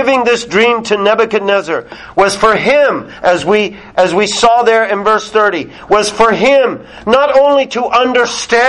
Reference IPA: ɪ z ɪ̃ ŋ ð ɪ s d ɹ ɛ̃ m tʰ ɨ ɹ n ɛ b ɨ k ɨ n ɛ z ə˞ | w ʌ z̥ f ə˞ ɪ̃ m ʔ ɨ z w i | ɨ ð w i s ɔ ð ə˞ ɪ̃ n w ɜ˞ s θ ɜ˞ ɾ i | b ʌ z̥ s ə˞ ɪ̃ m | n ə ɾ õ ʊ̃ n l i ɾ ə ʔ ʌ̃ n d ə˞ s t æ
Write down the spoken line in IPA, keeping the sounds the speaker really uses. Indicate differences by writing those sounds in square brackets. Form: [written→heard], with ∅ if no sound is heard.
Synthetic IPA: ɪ [z→v] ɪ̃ ŋ ð ɪ s d ɹ [ɛ̃→ĩ] m tʰ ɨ [ɹ→∅] n ɛ b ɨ k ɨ n ɛ z ə˞ | w ʌ z̥ f ə˞ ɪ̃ m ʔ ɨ z w i | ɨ [ð→z] w i s ɔ ð ə˞ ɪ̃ n [w→v] ɜ˞ s θ ɜ˞ ɾ i | [b→w] ʌ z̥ [s→f] ə˞ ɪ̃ m | n ə ɾ õ ʊ̃ n l i ɾ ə ʔ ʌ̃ n d ə˞ s t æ